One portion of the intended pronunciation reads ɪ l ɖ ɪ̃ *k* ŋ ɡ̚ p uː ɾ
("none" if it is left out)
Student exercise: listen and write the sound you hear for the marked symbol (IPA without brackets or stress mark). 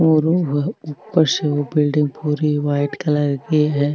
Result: none